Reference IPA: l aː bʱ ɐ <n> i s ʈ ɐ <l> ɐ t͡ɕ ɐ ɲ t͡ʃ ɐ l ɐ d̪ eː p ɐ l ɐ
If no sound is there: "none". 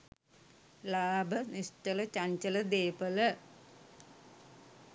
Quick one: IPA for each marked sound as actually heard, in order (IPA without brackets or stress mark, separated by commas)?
n, l